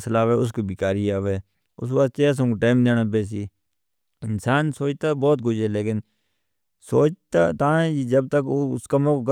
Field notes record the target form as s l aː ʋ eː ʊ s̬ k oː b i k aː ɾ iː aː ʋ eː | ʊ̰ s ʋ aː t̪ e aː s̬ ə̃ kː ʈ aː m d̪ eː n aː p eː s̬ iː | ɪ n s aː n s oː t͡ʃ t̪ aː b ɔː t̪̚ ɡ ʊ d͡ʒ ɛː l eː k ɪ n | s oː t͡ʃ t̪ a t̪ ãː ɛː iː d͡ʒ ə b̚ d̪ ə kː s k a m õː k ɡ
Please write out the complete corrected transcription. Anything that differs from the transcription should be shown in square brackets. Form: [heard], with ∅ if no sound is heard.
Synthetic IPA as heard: s l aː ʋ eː ʊ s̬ k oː b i k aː ɾ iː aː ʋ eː | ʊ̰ s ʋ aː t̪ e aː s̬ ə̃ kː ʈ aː m d̪ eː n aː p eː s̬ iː | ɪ n s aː n s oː t͡ʃ t̪ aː b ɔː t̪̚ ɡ ʊ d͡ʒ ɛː l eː k ɪ n | s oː t͡ʃ t̪ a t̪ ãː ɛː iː d͡ʒ ə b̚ [t̪] ə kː s k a m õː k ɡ